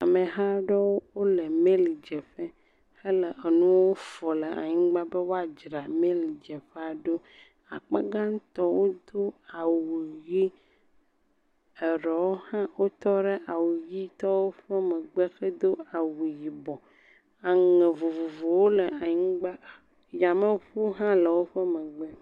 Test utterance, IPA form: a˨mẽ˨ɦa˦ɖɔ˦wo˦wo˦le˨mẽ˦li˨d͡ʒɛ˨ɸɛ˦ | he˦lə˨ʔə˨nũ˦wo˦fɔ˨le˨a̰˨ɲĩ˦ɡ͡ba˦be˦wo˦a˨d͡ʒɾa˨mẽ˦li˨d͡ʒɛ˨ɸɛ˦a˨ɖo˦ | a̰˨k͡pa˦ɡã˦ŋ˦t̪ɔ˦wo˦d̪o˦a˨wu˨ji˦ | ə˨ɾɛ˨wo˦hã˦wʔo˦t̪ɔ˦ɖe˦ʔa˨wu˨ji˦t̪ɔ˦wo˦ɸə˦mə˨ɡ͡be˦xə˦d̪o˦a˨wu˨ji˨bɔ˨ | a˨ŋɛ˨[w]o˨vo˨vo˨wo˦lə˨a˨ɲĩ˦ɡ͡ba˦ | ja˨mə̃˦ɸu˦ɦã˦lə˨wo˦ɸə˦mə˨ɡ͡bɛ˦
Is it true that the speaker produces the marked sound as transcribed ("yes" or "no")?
no